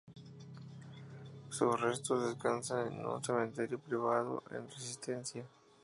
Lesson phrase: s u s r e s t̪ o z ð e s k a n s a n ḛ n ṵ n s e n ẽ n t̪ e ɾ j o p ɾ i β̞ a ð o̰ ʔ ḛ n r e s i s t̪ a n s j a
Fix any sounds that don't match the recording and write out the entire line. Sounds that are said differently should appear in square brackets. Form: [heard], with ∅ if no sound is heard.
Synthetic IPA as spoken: s u s r e s t̪ o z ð e s k a n s a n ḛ n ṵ n s e [m] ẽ n t̪ e ɾ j o p ɾ i β̞ a ð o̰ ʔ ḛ n r e s i s t̪ [e] n s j a